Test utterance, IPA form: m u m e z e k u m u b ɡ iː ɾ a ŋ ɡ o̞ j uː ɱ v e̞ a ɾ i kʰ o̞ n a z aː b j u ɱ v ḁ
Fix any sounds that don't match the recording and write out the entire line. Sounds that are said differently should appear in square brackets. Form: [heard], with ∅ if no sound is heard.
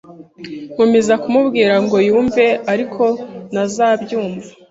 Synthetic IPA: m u m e z [a] k u m u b ɡ iː ɾ a ŋ ɡ o̞ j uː ɱ v e̞ a ɾ i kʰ o̞ n a z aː b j [uː] ɱ v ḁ